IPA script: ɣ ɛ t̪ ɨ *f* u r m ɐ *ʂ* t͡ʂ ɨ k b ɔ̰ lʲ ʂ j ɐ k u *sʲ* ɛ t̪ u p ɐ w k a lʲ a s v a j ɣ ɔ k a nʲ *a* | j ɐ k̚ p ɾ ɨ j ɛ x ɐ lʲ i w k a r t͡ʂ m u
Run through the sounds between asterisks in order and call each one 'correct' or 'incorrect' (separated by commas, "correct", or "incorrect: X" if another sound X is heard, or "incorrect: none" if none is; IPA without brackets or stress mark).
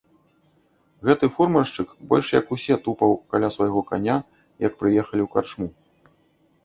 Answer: correct, correct, correct, correct